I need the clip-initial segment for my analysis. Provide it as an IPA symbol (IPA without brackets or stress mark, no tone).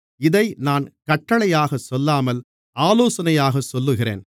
ɪ